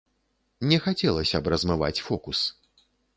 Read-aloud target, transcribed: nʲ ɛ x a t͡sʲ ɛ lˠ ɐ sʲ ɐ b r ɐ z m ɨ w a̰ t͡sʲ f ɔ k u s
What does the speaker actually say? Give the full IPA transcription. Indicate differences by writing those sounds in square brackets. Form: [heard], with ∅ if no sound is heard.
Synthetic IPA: nʲ ɛ x a t͡sʲ ɛ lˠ ɐ sʲ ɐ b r ɐ z m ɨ [v] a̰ t͡sʲ f ɔ k u s